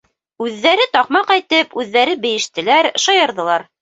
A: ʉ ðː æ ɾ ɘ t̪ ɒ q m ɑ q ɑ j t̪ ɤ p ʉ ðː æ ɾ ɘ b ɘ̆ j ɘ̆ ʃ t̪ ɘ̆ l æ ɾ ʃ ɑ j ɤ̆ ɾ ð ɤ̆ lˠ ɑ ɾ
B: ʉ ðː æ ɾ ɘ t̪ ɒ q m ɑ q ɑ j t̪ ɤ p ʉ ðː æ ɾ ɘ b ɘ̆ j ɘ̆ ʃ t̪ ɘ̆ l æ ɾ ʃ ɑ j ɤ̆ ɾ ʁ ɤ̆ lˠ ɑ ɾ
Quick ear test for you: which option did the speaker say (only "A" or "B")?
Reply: A